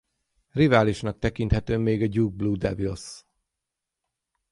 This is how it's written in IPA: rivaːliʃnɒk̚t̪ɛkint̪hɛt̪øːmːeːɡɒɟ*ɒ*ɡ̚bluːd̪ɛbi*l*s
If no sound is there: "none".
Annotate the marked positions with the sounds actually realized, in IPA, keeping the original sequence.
u, l

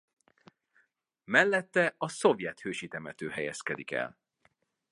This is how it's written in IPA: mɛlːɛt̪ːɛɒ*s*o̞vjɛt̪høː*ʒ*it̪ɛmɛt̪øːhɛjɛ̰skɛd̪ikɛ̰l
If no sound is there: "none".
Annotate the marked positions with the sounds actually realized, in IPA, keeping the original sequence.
s, ʃ

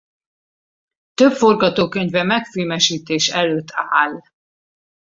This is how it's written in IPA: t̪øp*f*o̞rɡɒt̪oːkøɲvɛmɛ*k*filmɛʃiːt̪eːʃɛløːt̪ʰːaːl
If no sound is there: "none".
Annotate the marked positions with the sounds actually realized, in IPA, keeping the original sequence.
f, k

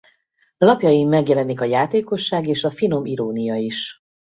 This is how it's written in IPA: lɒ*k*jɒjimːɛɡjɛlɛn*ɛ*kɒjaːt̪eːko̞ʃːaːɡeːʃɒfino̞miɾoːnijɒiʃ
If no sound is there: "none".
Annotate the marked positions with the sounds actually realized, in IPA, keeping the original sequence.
p, i

